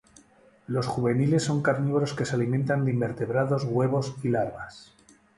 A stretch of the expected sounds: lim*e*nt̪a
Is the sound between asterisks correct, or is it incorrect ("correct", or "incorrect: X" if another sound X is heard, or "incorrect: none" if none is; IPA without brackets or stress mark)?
incorrect: ẽ